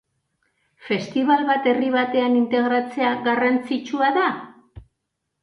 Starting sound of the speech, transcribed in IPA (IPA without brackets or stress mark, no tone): f